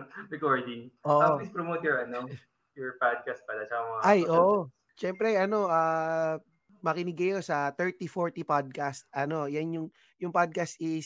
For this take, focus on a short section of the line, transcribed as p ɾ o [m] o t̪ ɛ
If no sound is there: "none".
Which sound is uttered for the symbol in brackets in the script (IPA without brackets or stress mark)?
m